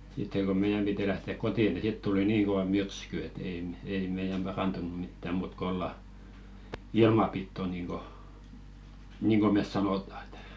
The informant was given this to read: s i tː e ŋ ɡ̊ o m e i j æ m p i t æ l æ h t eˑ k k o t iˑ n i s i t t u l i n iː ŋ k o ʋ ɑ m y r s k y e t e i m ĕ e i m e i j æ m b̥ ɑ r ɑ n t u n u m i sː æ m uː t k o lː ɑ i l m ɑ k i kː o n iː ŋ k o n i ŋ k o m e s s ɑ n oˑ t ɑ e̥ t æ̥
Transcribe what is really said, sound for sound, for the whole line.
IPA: s i tː e ŋ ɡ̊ o m e i j æ m p i t i l æ h t eˑ k k o t iˑ n i s i t t u l i n iː ŋ k o ʋ ɑ m y r s k y e t e i m ĕ e i m e i j æ m b̥ ɑ r ɑ n t u n u m i tː æ m uː t k o lː ɑ i l m ɑ p i tː o n iː ŋ k o n iː ŋ k o m e s s ɑ n oˑ t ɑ e̥ t æ̥